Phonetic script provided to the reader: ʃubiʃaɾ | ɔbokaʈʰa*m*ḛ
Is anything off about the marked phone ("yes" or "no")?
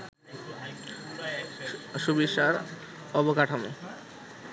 no